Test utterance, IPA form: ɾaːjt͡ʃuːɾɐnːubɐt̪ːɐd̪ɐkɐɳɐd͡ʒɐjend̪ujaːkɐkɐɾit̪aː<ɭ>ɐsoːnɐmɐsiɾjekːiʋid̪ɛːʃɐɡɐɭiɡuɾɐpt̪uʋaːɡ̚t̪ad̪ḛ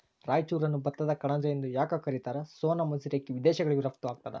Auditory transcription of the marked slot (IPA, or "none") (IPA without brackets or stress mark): ɾ